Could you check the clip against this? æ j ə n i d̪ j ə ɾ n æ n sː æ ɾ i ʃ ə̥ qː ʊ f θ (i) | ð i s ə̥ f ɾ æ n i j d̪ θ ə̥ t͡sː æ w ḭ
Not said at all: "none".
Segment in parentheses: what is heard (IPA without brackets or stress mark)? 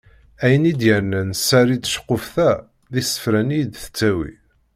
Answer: æ